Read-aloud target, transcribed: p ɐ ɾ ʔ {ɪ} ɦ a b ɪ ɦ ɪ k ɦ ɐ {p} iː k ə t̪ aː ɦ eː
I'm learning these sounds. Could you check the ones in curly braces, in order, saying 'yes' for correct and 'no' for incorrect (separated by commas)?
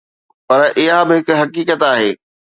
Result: yes, no